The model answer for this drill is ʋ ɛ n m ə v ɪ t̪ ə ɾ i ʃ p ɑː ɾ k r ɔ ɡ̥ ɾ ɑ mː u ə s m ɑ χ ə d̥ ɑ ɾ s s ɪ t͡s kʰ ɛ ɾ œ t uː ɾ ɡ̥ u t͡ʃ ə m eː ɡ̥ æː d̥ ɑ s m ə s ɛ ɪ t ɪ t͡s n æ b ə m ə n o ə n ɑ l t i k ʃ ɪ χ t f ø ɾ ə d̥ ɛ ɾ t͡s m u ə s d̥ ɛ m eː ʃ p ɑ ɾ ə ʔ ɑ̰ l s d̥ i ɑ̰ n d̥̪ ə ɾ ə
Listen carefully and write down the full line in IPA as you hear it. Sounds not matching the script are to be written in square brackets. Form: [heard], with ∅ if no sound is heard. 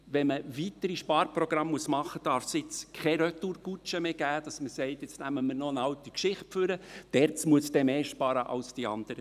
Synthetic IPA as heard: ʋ ɛ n m ə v [i] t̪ ə ɾ i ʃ p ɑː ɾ [p] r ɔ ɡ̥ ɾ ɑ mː u ə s m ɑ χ ə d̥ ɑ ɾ [f] s ɪ t͡s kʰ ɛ ɾ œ t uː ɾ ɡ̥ u t͡ʃ ə m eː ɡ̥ æː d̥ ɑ s m ə s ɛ ɪ t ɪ t͡s n æ [m] ə m ə n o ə n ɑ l t i k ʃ ɪ χ t f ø ɾ ə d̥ ɛ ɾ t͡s m u ə s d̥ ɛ m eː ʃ p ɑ ɾ ə ʔ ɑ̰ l s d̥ i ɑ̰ n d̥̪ ə ɾ ə